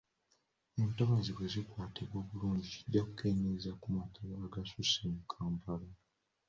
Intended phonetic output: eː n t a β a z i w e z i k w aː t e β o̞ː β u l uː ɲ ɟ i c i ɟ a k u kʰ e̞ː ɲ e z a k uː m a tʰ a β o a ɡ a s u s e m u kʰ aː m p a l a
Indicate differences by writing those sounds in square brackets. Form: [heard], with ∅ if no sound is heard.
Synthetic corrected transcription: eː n t a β a z i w e z i k w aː t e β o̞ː β u l uː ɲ ɟ i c i ɟ a k u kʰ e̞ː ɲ e z a k [u] m a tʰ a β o a ɡ a s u s e m u kʰ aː m p a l a